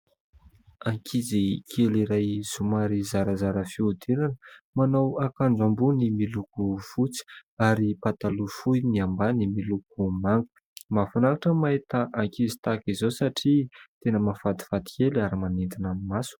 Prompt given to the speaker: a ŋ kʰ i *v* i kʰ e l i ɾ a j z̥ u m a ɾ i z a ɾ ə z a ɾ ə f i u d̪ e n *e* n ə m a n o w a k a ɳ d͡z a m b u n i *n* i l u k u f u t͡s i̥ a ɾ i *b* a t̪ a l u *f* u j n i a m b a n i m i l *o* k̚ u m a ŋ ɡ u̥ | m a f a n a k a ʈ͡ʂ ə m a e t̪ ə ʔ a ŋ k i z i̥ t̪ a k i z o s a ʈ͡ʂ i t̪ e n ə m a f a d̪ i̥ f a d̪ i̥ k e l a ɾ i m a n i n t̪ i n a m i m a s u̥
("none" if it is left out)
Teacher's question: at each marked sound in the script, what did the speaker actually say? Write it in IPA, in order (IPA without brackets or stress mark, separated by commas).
z, a, m, p, f, u